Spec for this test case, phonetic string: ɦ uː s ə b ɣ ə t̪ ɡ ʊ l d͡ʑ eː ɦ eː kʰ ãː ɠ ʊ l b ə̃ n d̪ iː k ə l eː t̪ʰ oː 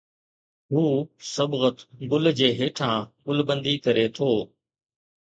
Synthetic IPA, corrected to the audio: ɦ uː s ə b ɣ ə t̪ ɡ ʊ l d͡ʑ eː ɦ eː ʈʰ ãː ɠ ʊ l b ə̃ n d̪ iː k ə ɾ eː t̪ʰ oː